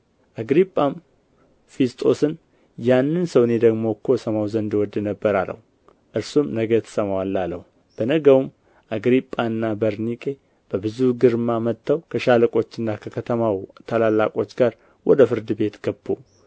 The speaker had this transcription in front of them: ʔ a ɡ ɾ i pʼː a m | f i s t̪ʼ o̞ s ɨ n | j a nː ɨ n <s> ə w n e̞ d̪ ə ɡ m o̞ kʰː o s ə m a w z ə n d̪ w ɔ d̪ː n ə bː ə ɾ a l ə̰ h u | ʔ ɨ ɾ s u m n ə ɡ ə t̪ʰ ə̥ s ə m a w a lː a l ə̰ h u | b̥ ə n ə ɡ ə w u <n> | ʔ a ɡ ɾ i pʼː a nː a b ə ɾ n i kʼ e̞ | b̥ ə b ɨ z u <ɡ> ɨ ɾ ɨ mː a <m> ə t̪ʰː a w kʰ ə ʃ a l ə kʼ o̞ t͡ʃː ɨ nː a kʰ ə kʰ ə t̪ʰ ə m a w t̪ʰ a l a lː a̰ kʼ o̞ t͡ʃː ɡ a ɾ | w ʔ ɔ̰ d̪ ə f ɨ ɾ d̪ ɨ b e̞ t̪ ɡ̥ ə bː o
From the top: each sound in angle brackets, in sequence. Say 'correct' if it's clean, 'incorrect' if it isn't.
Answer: correct, incorrect: m, correct, correct

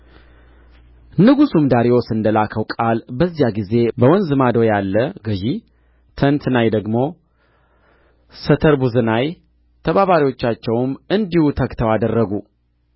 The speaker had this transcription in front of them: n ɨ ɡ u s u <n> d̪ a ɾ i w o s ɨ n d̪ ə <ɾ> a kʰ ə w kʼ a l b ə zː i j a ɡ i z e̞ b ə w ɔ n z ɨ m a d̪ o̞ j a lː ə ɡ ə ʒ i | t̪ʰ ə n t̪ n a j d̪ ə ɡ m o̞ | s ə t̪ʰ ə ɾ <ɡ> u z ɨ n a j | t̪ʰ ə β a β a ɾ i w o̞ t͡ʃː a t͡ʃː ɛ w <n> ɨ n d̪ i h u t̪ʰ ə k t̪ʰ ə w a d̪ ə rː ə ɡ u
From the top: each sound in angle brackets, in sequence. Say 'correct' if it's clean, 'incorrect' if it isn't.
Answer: incorrect: m, incorrect: l, incorrect: b, incorrect: m

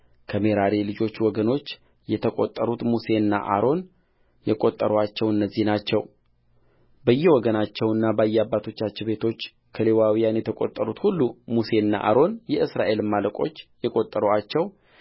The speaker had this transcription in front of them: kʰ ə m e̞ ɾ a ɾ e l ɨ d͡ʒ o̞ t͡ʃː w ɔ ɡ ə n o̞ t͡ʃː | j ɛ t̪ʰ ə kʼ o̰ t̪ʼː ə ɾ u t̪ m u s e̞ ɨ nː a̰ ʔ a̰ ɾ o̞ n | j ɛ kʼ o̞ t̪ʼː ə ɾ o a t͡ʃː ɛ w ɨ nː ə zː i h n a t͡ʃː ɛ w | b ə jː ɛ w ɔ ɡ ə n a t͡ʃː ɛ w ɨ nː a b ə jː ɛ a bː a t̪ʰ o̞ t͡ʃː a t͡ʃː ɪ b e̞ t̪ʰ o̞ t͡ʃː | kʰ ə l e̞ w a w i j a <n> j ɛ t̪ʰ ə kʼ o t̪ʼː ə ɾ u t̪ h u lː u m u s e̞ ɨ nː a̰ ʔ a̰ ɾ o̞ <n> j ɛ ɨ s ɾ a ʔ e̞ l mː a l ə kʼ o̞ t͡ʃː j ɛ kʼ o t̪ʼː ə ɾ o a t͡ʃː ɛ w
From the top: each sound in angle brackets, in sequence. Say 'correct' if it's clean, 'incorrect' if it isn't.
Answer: correct, correct

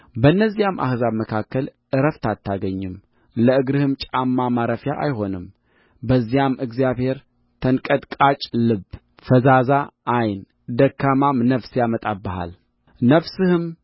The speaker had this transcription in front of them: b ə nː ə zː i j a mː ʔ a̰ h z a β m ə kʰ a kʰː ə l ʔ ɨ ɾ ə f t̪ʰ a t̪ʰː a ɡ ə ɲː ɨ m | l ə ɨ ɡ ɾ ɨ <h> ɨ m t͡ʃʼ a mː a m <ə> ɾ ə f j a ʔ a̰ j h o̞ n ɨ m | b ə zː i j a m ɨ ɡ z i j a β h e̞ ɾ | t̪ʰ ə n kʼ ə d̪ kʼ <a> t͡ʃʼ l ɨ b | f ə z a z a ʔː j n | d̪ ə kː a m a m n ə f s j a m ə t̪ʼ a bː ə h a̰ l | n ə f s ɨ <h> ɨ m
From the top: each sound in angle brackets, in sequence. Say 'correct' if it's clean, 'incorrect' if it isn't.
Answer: correct, incorrect: a, correct, correct

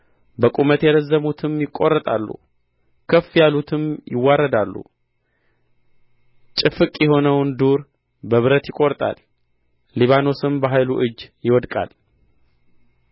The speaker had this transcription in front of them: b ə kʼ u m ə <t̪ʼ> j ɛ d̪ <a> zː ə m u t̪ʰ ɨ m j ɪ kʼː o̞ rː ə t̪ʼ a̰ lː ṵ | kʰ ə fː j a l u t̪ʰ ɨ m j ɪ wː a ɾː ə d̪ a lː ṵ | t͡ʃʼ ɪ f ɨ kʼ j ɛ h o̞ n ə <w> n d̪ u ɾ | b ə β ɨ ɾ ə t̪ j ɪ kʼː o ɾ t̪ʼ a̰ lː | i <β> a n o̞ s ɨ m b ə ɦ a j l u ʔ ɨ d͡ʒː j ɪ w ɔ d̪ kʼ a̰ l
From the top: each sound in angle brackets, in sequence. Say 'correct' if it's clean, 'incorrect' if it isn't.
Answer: incorrect: t̪, incorrect: ə, correct, correct

